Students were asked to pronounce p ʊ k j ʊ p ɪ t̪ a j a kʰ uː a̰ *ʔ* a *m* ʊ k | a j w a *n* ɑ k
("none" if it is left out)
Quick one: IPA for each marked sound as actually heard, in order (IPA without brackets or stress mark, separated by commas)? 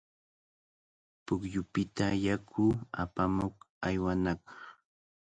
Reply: p, m, n